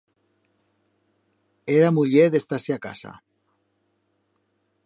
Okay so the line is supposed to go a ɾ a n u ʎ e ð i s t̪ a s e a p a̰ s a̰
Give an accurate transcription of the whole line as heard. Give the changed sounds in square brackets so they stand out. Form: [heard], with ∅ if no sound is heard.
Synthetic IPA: [e] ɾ a [m] u ʎ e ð [e] s t̪ a s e a [k] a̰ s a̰